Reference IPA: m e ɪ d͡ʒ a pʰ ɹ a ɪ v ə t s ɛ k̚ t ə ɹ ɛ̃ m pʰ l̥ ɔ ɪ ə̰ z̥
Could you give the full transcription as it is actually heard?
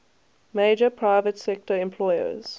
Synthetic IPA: m e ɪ d͡ʒ ə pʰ ɹ a ɪ v ə t s ɛ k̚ t ə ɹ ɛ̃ m pʰ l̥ ɔ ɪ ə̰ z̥